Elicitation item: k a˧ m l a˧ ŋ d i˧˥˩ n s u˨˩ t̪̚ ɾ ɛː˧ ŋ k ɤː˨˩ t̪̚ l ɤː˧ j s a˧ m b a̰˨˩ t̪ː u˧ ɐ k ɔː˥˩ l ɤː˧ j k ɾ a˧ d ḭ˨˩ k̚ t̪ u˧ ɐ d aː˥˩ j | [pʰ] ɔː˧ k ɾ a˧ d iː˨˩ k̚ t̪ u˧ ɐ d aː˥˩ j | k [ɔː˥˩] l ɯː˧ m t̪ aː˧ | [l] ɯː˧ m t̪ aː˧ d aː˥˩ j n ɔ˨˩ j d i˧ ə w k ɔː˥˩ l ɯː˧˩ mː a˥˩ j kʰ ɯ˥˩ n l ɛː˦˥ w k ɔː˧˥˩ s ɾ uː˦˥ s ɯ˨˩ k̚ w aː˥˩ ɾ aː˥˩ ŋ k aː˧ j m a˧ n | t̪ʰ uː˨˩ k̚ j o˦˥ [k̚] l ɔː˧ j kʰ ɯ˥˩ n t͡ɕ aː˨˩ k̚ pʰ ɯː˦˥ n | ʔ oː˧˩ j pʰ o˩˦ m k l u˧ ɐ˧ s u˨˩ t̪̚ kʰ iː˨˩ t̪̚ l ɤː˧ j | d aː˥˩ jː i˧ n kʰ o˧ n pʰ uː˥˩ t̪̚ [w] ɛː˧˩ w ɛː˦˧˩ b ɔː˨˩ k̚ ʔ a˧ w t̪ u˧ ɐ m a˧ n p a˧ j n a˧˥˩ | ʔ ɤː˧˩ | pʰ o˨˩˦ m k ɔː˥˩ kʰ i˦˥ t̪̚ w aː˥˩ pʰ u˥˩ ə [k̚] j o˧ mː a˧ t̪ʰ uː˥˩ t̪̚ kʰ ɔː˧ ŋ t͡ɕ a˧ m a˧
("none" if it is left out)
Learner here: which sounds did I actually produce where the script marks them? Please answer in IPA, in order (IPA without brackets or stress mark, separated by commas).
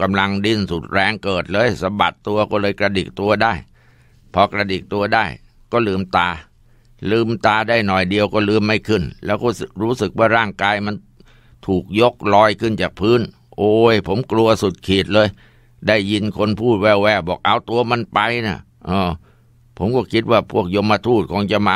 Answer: pʰ, ɔː˥˩, l, k̚, w, k̚